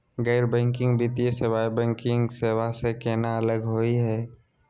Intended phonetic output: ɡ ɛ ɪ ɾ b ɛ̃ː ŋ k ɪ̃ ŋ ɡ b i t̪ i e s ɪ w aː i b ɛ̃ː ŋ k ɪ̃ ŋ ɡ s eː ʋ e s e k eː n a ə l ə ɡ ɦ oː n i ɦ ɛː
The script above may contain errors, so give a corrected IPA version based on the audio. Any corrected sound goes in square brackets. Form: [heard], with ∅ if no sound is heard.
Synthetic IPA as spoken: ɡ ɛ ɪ ɾ b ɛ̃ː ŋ k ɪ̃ ŋ ɡ b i t̪ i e s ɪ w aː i b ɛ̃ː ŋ k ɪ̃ ŋ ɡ s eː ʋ [a] s e k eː n a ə l ə ɡ ɦ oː [∅] i ɦ ɛː